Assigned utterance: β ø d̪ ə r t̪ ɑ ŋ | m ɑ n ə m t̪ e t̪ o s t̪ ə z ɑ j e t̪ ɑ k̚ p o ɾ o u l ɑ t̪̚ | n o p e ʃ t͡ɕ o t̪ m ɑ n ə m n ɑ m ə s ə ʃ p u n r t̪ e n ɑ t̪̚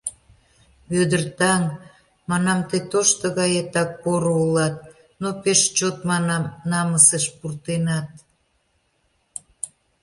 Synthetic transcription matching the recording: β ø d̪ ə r t̪ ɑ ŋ | m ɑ n ɑ m t̪ e t̪ o ʃ t̪ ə ɣ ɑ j e t̪ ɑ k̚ p o ɾ o u l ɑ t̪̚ | n o p e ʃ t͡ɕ o t̪ m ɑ n ɑ m n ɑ m ə s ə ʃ p u r t̪ e n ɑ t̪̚